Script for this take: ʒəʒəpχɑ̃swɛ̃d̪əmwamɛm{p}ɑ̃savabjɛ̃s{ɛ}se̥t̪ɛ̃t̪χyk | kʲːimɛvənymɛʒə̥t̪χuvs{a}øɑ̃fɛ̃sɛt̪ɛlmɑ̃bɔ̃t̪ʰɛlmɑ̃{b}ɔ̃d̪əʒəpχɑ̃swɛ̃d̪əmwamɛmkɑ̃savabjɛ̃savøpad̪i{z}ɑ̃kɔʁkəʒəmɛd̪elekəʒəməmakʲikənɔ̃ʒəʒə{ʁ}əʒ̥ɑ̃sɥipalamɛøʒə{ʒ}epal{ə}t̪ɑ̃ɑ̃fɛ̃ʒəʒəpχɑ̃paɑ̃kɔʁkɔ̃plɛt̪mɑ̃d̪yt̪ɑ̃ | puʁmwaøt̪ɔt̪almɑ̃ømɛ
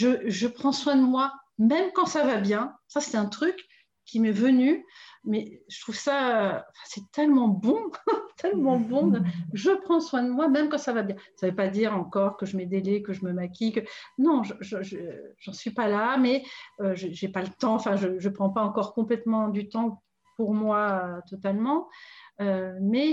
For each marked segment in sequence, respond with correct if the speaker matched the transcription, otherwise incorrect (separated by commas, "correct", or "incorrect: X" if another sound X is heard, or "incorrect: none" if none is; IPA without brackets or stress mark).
incorrect: k, incorrect: a, correct, correct, incorrect: ʁ, incorrect: ʒ, correct, correct